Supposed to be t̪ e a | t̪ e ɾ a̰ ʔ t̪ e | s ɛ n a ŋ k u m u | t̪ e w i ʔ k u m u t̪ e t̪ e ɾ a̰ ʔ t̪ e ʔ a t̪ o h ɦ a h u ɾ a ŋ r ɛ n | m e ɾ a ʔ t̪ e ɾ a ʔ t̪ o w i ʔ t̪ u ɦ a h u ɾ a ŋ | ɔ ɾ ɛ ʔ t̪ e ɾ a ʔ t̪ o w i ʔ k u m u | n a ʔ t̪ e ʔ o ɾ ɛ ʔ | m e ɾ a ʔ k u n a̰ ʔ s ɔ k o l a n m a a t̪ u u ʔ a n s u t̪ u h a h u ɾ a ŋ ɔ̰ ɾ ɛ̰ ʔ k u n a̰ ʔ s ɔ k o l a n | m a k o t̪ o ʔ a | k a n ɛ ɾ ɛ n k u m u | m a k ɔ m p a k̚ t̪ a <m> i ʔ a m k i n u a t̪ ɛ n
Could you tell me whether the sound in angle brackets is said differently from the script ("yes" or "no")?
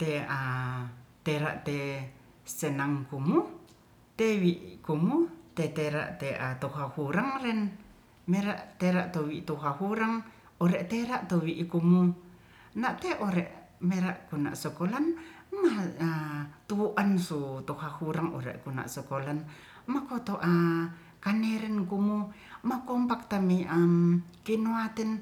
no